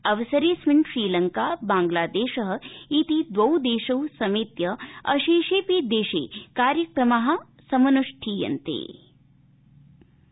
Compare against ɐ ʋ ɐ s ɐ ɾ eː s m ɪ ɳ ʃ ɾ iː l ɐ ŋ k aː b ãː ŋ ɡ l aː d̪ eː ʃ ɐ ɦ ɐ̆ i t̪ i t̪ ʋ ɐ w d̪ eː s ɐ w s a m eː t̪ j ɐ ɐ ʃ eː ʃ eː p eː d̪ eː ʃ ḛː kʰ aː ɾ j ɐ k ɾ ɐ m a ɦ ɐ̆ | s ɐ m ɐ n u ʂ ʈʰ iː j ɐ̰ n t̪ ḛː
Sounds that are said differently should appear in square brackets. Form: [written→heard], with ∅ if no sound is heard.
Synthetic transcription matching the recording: ɐ ʋ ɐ s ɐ ɾ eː s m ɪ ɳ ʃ ɾ iː l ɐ ŋ k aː b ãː ŋ ɡ l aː d̪ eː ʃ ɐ ɦ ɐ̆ i t̪ i [t̪→d̪] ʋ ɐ w d̪ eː [s→ʃ] ɐ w s [a→ɐ] m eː t̪ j ɐ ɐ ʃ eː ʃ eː p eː d̪ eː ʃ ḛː [kʰ→k] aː ɾ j ɐ k ɾ ɐ m a ɦ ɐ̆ | s ɐ m ɐ n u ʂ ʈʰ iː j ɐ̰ n t̪ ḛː